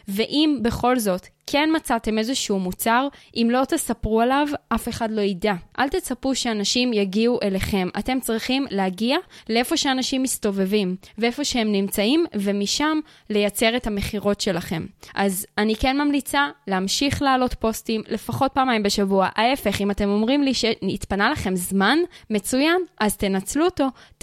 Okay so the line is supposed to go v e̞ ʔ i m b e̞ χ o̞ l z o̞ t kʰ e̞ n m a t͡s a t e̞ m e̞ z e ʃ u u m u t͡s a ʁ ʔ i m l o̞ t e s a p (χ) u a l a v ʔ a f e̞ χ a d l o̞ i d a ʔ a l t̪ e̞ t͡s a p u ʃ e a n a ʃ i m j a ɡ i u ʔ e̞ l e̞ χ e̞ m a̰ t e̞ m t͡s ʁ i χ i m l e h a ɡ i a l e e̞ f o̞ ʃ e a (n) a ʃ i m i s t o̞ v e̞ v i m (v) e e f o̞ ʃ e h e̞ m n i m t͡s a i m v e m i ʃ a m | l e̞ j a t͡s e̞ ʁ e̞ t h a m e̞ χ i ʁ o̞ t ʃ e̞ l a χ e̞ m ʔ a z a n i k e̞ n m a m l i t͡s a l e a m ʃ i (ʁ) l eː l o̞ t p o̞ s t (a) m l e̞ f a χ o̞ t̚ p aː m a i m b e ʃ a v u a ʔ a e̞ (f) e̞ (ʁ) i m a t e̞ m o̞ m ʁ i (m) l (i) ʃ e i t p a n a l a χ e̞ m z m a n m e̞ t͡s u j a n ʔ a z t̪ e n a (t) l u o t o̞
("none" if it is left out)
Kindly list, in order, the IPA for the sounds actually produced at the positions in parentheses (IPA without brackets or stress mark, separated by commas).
ʁ, n, v, χ, i, f, χ, m, i, t͡s